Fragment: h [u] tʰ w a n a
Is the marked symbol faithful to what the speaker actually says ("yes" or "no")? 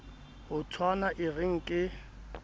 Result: no